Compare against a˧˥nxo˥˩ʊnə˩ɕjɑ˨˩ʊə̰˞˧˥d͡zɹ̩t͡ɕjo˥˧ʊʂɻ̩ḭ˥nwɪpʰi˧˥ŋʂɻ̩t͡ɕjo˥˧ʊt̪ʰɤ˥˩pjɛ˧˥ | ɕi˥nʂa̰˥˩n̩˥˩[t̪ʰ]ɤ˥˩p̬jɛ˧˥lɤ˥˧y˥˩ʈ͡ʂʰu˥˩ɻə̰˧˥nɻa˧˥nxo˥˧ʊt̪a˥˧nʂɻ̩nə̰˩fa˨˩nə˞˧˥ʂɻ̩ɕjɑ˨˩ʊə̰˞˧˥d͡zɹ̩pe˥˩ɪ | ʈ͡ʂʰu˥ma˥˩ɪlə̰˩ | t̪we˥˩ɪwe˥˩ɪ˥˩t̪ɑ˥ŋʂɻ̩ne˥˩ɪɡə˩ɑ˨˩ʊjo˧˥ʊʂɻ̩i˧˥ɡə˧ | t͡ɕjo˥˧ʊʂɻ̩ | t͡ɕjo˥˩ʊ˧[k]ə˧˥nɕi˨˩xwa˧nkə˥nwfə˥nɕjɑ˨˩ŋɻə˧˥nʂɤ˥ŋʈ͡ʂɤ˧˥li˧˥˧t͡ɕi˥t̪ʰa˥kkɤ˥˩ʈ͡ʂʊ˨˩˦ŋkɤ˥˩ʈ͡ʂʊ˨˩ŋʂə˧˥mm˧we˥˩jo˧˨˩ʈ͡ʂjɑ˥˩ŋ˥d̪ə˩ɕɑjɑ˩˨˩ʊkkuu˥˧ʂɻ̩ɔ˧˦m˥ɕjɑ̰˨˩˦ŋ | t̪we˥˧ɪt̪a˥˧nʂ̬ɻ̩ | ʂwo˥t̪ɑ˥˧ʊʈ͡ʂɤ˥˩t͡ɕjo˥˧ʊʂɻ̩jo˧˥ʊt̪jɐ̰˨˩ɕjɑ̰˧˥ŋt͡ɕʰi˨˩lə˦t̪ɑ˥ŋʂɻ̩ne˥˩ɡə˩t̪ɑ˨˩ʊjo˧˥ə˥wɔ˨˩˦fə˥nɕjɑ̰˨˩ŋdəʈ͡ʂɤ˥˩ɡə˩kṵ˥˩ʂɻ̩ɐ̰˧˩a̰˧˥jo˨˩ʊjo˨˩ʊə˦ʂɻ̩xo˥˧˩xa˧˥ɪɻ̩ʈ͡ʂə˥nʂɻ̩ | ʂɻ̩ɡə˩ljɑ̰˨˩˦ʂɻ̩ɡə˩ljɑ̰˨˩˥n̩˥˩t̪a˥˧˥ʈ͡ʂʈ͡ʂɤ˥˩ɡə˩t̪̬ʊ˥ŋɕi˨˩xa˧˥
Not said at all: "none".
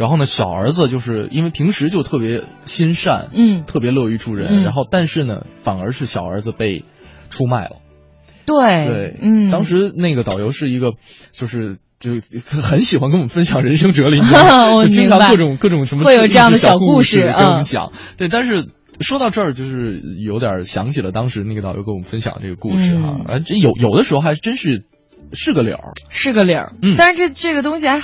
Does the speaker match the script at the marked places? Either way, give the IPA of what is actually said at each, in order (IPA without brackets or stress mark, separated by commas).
t̪ʰ, x